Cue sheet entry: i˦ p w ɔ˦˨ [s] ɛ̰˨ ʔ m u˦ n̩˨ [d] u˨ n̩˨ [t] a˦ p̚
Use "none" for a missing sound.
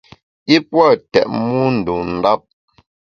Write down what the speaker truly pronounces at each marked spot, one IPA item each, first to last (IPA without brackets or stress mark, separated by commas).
t, d, d